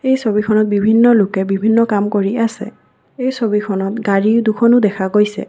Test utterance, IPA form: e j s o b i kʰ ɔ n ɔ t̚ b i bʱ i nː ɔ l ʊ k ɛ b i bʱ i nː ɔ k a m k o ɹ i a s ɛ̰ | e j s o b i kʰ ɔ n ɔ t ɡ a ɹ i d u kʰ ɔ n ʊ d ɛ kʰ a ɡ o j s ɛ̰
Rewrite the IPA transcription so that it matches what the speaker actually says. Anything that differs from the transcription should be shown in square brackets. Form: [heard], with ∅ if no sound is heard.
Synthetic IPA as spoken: e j s o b i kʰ ɔ n ɔ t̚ b i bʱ i nː ɔ l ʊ k ɛ b i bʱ i nː ɔ k a m k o ɹ i a s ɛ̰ | e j s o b i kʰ ɔ n ɔ t ɡ a ɹ i d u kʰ ɔ n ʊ d ɛ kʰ a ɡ o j s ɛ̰

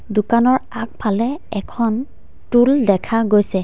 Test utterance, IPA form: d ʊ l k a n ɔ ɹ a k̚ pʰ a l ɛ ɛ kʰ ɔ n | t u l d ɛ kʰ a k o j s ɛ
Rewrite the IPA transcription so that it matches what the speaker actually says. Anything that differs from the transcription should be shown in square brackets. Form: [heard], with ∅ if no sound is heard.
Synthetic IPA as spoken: d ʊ [∅] k a n ɔ ɹ a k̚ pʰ a l ɛ ɛ kʰ ɔ n | t u l d ɛ kʰ a [ɡ] o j s ɛ

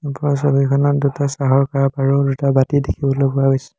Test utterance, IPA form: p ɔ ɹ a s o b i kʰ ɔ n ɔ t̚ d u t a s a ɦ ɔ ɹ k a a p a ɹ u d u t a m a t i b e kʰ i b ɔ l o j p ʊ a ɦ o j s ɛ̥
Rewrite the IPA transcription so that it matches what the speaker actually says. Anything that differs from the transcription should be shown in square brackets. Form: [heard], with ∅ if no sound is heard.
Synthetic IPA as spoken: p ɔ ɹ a s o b i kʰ ɔ n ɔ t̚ d u t a s a ɦ ɔ ɹ k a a p a ɹ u d u t a [b] a t i [d] e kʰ i b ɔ l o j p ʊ a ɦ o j s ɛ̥

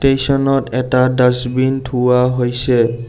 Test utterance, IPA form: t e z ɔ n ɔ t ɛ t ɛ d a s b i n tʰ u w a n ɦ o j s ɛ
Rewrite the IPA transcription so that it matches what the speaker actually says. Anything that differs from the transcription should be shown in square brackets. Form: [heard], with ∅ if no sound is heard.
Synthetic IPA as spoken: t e [s] ɔ n ɔ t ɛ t [a] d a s b i n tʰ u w a [∅] ɦ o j s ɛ

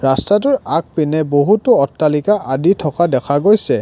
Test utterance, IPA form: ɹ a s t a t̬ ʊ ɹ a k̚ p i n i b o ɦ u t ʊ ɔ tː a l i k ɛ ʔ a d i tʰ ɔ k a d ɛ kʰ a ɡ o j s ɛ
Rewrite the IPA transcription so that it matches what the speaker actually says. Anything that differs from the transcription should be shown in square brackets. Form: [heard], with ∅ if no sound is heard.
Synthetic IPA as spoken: ɹ a s t a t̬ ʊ ɹ a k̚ p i n [ɛ] b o ɦ u t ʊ ɔ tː a l i k [a] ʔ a d i tʰ ɔ k a d ɛ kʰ a ɡ o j s ɛ

